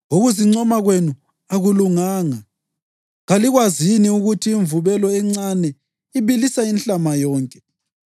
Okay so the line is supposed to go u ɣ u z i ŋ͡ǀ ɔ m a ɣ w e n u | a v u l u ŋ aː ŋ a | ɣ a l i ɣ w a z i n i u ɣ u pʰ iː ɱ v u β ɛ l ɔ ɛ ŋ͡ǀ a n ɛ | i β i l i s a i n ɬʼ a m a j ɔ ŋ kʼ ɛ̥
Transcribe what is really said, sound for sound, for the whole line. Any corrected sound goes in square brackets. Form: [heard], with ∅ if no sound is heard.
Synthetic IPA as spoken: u ɣ u z i ŋ͡ǀ ɔ m a ɣ w e n u | a [ɣ] u l u ŋ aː ŋ a | ɣ a l i ɣ w a z i n i u ɣ u [tʰ] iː ɱ v u β ɛ l ɔ ɛ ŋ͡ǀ a n ɛ | i β i l i s a i n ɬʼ a m a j [ɔː] ŋ kʼ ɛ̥